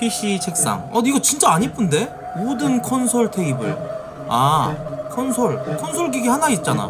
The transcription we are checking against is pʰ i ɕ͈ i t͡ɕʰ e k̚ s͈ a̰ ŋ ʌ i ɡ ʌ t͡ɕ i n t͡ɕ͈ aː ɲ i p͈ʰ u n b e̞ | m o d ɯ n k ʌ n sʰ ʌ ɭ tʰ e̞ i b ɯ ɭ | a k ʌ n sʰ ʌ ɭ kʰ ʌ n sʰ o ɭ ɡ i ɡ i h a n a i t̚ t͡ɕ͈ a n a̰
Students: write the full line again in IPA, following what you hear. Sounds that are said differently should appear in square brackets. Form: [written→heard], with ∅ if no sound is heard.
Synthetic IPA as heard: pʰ i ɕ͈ i t͡ɕʰ e k̚ s͈ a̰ ŋ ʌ i ɡ ʌ t͡ɕ i n t͡ɕ͈ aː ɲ i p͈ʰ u n [b→d] e̞ | m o d ɯ n [k→kʰ] ʌ n sʰ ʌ ɭ tʰ e̞ i b ɯ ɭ | a [k→kʰ] ʌ n sʰ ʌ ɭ kʰ ʌ n sʰ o ɭ ɡ i ɡ i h a n a i t̚ t͡ɕ͈ a n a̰